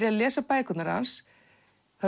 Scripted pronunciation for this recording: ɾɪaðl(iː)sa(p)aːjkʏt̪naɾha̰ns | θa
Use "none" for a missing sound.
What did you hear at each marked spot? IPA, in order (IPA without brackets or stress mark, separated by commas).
ɛː, p